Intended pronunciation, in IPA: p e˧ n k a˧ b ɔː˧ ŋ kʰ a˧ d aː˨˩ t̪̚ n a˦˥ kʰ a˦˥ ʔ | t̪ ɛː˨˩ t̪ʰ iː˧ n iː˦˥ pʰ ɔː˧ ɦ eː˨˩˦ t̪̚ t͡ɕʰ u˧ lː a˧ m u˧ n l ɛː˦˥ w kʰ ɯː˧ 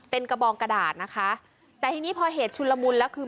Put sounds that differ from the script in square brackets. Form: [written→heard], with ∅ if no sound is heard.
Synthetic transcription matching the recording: p e˧ n k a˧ b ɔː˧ ŋ [kʰ→k] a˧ d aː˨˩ t̪̚ n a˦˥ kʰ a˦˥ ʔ | t̪ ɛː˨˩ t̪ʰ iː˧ n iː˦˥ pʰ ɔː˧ ɦ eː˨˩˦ t̪̚ t͡ɕʰ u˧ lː a˧ m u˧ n l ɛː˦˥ w kʰ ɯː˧